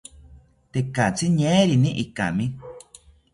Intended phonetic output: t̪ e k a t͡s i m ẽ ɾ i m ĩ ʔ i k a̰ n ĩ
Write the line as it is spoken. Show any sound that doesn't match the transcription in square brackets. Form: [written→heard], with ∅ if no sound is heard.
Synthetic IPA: t̪ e k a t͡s i [m→ɲ] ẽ ɾ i [m→n] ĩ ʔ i k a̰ [n→m] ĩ

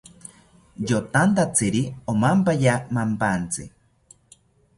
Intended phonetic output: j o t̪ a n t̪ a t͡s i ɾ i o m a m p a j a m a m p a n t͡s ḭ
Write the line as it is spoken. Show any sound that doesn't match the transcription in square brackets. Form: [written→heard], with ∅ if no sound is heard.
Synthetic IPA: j o t̪ a n t̪ a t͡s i ɾ i o m a m p a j a m a m p a n t͡s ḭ

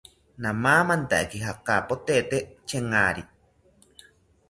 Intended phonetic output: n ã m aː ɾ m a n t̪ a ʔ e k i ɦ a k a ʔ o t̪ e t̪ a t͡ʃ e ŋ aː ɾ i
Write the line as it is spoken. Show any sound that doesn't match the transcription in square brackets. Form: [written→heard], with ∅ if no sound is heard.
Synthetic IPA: n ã m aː [ɾ→∅] m a n t̪ a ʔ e k i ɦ a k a [ʔ→p] o t̪ e t̪ [a→e] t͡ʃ e ŋ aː ɾ i

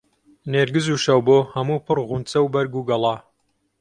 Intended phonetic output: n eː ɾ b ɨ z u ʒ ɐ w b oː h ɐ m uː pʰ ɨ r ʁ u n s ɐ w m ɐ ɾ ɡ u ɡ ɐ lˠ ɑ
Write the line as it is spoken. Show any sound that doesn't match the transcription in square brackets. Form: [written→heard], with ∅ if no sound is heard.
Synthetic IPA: n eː ɾ [b→ɡ] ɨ z u [ʒ→ʃ] ɐ w b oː h ɐ m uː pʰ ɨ r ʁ u n [s→t͡s] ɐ w [m→b] ɐ ɾ ɡ u ɡ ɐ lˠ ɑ

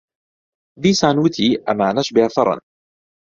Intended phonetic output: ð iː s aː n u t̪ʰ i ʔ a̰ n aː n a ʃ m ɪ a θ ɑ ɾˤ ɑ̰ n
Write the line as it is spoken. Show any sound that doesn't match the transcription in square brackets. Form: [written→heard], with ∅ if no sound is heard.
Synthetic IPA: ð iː s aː n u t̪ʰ i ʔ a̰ [n→m] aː n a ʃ [m→b] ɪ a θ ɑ ɾˤ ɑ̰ n

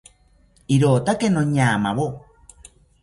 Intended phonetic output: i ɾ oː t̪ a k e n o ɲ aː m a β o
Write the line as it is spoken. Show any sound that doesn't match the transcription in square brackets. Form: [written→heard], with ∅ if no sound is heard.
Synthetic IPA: i ɾ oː t̪ a k e n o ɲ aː m a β o

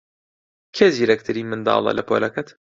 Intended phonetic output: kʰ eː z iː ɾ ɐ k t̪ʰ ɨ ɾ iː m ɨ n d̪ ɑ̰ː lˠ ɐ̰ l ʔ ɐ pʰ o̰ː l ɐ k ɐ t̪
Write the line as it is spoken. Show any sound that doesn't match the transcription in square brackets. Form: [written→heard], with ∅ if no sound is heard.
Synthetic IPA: kʰ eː z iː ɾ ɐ k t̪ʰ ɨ ɾ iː m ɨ n d̪ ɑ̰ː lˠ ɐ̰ l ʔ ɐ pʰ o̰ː l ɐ k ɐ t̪

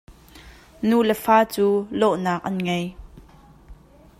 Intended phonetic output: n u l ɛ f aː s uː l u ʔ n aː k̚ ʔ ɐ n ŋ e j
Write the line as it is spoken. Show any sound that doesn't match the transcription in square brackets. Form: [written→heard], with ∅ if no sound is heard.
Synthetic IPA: n u l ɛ f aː [s→t͡s] uː l [u→ɔ] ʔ n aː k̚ ʔ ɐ n ŋ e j

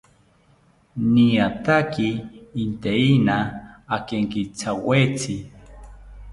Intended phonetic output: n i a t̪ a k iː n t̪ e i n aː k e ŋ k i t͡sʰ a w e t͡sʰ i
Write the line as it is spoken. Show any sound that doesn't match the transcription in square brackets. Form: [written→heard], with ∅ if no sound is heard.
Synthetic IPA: n i a t̪ a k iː n t̪ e i n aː k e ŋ k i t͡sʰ a w e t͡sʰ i

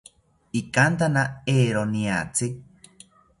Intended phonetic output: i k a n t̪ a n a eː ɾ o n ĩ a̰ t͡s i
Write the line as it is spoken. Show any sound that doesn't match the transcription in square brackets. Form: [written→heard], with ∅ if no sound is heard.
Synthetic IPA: i k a n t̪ a n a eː ɾ o n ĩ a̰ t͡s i

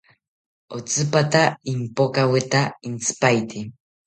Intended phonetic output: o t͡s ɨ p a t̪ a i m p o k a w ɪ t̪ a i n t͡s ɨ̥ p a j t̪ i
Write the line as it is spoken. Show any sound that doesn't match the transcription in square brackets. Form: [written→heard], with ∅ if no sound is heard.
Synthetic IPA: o t͡s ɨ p a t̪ a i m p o k a w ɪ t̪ a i n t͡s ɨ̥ p a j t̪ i

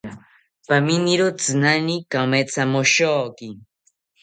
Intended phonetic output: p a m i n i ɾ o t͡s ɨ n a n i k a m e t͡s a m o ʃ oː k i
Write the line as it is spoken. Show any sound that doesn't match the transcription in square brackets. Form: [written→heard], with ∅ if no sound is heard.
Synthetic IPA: p a m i n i ɾ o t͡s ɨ n a n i k a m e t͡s a m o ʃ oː k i

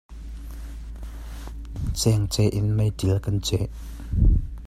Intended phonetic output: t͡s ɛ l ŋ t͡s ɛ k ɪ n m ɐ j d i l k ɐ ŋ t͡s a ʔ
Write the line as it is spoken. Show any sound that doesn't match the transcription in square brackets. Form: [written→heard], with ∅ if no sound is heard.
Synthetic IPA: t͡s ɛ [l→∅] ŋ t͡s ɛ [k→ʔ] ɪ n m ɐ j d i l k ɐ [ŋ→n] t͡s [a→ɛ] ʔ

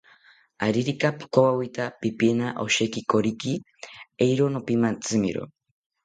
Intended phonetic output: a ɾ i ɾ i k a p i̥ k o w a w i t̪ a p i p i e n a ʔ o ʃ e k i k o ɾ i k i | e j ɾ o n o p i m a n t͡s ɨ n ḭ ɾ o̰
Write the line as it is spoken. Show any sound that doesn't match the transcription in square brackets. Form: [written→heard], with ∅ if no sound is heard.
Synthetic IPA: a ɾ i ɾ i k a p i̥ k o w a w i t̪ a p i p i e n a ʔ o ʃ e k i k o ɾ i k i | e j ɾ o n o p i m a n t͡s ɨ [n→m] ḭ ɾ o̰

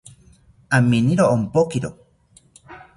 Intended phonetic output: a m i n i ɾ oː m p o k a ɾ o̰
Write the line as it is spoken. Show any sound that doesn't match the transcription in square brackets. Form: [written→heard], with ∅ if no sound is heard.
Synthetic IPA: a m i n i ɾ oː m p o k [a→i] ɾ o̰

